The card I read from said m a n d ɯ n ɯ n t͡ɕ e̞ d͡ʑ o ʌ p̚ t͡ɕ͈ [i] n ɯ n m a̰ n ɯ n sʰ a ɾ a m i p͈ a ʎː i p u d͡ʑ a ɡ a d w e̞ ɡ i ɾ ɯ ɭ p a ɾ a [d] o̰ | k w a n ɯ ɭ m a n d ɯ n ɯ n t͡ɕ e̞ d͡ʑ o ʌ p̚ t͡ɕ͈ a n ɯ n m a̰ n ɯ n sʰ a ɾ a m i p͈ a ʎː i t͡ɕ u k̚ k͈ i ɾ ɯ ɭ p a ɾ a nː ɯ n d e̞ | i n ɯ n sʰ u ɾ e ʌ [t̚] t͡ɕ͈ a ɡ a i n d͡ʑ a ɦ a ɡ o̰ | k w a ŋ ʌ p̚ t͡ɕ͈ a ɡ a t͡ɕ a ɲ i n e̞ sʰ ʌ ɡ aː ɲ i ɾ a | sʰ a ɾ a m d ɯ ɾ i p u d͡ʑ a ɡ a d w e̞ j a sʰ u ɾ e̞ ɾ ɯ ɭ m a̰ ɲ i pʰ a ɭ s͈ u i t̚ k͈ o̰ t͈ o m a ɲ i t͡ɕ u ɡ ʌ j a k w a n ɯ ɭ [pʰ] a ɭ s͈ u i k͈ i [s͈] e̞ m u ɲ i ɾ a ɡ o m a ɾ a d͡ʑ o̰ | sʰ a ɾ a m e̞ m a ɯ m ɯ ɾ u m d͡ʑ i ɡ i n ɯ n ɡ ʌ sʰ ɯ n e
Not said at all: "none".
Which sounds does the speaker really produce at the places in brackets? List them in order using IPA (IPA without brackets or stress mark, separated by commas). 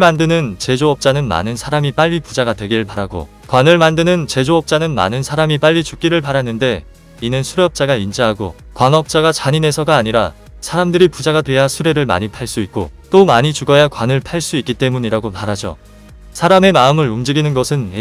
a, ɡ, p̚, pʰ, t͈